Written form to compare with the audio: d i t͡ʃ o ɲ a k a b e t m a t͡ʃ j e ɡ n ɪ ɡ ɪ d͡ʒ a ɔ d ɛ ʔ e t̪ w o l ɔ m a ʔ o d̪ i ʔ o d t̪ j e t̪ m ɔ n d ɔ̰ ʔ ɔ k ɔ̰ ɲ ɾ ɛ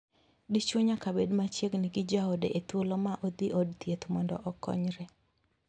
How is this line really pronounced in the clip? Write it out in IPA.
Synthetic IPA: d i t͡ʃ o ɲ a k a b e d m a t͡ʃ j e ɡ n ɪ ɡ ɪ d͡ʒ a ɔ d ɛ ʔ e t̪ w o l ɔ m a ʔ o d̪ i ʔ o d t̪ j e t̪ m ɔ n d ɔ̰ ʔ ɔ k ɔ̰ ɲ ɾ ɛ